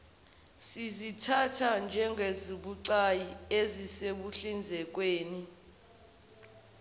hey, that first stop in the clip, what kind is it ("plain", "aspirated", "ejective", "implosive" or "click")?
aspirated